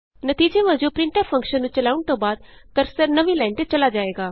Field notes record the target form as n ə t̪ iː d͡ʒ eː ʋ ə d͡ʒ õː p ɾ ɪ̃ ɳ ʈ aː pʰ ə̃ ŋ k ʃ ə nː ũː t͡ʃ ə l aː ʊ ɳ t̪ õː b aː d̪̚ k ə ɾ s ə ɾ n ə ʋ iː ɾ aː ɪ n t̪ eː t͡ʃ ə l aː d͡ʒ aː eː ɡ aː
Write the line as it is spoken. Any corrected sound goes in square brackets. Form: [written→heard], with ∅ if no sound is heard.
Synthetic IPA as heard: n ə t̪ iː d͡ʒ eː ʋ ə d͡ʒ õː p ɾ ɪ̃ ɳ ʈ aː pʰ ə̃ ŋ k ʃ ə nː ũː t͡ʃ ə l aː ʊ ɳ t̪ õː b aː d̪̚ k ə ɾ s ə ɾ n ə ʋ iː [ɾ→l] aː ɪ n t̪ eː t͡ʃ ə l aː d͡ʒ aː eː ɡ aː